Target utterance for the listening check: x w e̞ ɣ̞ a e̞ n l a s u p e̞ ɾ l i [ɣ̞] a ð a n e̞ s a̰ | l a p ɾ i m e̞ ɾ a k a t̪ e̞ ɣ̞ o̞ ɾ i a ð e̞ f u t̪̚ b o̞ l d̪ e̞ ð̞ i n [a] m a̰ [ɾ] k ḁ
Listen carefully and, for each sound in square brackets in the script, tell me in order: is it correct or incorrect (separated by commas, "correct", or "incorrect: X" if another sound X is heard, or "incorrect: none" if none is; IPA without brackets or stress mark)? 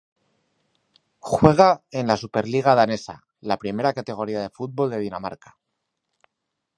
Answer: correct, correct, correct